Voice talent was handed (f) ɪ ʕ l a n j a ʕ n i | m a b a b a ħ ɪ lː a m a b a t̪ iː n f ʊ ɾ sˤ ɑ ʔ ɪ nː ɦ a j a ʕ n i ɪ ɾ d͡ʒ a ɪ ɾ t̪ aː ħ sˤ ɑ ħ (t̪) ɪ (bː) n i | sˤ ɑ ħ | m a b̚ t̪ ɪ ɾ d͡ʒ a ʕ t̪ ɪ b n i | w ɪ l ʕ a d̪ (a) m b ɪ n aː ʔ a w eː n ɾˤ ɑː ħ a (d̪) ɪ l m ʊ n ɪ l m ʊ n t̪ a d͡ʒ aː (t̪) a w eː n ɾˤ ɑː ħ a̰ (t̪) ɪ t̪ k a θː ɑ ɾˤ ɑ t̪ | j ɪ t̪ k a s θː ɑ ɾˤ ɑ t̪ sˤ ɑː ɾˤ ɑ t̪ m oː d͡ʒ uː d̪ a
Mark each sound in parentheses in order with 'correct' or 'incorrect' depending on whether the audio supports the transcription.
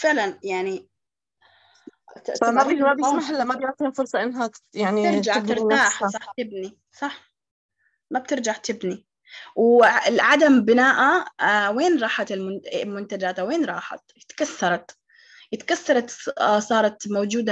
correct, correct, incorrect: b, correct, incorrect: t̪, correct, correct

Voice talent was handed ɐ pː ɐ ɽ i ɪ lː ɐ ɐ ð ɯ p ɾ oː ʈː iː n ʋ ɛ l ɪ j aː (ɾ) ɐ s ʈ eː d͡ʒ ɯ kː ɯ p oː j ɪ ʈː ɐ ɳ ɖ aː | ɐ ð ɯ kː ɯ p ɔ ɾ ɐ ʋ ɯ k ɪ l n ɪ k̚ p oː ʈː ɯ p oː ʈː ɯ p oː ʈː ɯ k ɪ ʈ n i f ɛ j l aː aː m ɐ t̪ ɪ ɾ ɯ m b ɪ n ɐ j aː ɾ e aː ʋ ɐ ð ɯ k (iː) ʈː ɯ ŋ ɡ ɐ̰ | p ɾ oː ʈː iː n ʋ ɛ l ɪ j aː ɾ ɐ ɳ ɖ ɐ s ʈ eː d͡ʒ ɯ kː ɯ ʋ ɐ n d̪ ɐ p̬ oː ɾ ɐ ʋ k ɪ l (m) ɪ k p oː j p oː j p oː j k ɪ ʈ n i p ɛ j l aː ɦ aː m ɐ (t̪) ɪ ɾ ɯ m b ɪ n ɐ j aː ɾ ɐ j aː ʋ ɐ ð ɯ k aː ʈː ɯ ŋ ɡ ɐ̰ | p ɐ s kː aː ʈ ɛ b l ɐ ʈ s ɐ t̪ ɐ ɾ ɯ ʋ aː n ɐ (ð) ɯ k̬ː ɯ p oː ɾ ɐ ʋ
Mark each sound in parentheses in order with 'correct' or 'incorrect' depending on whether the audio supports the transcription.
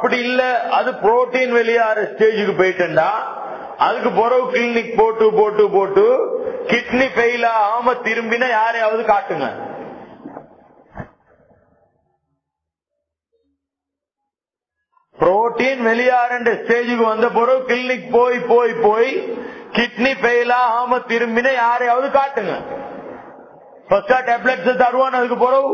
correct, incorrect: aː, incorrect: n, correct, correct

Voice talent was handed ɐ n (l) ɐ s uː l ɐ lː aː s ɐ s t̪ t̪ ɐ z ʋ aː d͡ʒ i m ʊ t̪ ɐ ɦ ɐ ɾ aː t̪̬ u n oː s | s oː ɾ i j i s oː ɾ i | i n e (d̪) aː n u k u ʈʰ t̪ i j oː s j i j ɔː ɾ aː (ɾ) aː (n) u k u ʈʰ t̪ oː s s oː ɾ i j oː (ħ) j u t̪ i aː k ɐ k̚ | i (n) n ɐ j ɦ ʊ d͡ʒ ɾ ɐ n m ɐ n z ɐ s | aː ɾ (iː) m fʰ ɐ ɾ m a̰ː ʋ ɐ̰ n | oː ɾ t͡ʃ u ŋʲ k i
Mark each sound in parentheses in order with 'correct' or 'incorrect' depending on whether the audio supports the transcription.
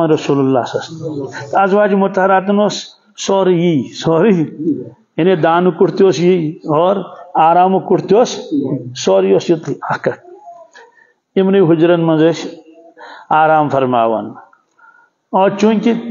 incorrect: ɾ, correct, correct, incorrect: m, incorrect: s, incorrect: m, incorrect: aː

